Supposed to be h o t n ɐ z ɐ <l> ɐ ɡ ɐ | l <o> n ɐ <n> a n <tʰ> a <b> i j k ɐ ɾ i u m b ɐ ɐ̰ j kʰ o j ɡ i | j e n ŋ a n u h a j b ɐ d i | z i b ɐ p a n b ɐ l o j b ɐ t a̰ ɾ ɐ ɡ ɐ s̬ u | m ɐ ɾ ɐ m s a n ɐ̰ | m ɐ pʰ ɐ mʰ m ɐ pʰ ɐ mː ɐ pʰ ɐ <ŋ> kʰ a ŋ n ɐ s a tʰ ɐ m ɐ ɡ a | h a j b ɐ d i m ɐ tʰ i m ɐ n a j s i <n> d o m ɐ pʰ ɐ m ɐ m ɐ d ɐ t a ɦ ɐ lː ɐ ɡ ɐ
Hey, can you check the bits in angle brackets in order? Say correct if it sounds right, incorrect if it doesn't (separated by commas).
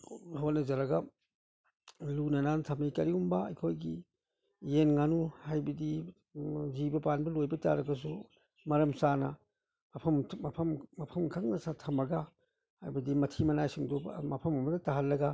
incorrect, incorrect, correct, correct, incorrect, incorrect, incorrect